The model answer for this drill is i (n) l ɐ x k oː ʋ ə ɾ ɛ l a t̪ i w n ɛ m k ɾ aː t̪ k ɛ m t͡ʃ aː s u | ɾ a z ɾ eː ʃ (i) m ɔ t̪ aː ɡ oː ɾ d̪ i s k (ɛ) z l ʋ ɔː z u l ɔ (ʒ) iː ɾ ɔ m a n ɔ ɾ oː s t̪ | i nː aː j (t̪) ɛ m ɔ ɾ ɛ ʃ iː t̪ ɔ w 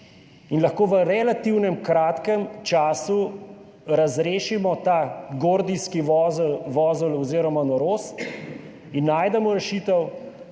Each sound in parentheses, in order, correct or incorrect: correct, correct, incorrect: i, incorrect: z, incorrect: d̪

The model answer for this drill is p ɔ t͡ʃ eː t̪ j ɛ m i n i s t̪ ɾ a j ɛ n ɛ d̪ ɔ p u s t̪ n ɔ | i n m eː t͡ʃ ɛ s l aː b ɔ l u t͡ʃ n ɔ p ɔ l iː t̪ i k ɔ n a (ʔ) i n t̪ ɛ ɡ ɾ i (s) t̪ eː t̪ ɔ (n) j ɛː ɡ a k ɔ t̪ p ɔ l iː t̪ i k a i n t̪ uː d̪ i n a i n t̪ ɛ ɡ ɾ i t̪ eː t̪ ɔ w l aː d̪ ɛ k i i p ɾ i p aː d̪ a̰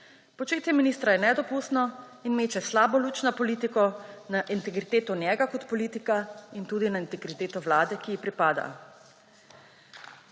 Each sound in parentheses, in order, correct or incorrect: correct, incorrect: none, correct

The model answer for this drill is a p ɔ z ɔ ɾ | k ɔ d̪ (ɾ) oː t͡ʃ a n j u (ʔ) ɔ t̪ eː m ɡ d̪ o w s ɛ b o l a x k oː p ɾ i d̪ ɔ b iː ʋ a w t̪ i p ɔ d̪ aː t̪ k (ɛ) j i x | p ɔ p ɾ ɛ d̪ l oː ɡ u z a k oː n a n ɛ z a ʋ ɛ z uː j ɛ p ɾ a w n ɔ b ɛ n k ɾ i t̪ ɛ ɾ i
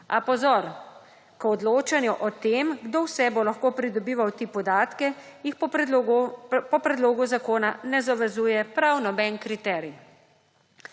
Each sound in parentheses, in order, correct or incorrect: incorrect: l, correct, correct

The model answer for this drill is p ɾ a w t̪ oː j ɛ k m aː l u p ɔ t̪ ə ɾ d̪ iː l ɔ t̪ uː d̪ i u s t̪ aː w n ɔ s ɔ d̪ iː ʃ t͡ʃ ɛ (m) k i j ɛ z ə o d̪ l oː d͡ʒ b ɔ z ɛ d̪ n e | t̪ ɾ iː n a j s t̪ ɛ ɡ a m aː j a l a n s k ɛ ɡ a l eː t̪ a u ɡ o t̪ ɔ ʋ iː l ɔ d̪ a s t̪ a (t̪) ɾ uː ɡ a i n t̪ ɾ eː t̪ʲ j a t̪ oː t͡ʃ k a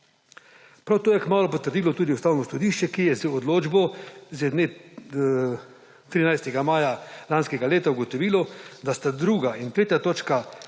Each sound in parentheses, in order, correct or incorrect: incorrect: none, incorrect: d̪

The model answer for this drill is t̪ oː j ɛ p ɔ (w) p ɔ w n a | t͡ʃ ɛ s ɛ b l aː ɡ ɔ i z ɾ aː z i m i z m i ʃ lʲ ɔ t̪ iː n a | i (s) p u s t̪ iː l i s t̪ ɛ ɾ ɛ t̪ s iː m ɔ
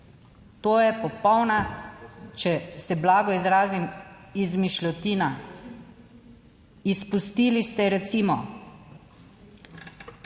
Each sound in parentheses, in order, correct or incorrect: incorrect: none, correct

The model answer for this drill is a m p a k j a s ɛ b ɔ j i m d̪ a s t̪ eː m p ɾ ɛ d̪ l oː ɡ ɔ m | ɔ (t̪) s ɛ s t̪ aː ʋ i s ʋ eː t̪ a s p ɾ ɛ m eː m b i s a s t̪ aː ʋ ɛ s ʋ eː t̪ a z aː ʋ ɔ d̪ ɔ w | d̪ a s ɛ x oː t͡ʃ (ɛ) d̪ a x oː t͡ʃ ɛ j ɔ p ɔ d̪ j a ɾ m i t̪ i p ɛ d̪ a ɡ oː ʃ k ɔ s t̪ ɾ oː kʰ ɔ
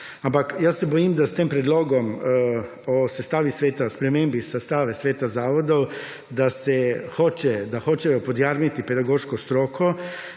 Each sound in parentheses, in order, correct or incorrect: incorrect: none, correct

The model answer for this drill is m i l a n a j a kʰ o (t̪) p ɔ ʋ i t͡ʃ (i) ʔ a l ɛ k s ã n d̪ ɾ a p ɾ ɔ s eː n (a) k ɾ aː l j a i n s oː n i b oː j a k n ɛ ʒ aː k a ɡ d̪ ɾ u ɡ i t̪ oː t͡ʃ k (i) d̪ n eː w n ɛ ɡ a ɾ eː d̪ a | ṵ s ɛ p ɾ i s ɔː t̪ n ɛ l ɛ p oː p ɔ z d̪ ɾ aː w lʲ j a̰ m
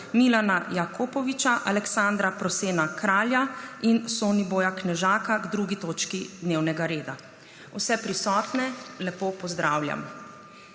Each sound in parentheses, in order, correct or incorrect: incorrect: none, incorrect: a, correct, correct

